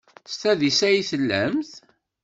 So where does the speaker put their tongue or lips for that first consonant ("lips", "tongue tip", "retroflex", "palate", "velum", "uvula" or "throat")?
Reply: tongue tip